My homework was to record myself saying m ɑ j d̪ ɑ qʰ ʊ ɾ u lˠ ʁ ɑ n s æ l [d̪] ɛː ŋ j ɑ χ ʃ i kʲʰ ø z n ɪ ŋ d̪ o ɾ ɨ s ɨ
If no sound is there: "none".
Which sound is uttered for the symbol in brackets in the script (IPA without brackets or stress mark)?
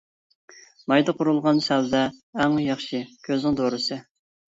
d̪